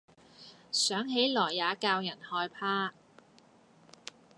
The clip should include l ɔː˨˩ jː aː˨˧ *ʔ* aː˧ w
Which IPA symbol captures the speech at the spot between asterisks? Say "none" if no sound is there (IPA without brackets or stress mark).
k